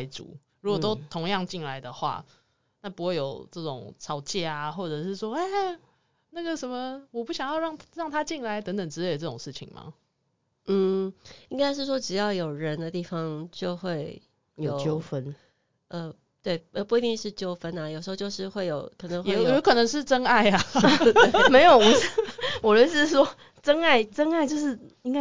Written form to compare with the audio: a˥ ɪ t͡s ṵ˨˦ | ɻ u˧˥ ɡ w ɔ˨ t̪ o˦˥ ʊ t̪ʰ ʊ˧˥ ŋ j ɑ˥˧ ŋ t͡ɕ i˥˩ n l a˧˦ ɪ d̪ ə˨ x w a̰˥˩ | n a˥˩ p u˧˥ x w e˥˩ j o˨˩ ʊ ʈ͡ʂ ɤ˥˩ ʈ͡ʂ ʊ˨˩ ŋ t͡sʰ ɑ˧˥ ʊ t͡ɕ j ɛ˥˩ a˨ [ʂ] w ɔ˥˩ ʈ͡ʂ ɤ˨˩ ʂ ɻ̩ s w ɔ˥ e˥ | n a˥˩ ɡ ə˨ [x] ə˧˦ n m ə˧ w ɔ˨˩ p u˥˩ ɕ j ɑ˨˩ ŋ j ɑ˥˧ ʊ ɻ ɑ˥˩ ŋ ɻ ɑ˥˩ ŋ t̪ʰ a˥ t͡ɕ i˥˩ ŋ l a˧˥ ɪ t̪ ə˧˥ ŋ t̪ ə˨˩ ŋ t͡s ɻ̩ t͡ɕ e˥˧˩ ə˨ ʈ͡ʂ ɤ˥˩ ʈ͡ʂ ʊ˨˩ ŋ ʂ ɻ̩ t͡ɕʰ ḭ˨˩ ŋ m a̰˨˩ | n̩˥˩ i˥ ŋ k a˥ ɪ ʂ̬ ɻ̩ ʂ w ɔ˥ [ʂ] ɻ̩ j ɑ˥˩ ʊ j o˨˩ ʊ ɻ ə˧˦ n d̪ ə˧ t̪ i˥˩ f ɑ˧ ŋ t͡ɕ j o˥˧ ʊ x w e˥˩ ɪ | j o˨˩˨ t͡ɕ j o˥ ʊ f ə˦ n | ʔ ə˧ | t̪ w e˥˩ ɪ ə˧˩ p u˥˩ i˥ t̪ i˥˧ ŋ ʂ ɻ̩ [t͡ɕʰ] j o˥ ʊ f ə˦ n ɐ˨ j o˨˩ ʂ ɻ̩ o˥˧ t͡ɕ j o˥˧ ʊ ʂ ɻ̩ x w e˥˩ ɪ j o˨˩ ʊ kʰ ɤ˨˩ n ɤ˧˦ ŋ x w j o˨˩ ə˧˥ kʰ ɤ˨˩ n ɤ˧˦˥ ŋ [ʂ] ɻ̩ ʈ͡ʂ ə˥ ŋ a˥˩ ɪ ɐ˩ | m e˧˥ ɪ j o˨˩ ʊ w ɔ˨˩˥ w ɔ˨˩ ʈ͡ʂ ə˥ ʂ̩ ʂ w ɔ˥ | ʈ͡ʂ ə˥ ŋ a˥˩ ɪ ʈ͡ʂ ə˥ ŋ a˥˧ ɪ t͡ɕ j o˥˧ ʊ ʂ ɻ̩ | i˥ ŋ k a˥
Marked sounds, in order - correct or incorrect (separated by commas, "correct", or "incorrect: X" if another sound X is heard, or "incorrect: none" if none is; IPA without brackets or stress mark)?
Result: incorrect: x, incorrect: ʂ, incorrect: ʈ͡ʂ, incorrect: t͡ɕ, correct